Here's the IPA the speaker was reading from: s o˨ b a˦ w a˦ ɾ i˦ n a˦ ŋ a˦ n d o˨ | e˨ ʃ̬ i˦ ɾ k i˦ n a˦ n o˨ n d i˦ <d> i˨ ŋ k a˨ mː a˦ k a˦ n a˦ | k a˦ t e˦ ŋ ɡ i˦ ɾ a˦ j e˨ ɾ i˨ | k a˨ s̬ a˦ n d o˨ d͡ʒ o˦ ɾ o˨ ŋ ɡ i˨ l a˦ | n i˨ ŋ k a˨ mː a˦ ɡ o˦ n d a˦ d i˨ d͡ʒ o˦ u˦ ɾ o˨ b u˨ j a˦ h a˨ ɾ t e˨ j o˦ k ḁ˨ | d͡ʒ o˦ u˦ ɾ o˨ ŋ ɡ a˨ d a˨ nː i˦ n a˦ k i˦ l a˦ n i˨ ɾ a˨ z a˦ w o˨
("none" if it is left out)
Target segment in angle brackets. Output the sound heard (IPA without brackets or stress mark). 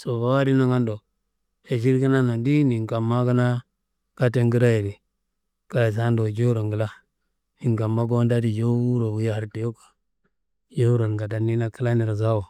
n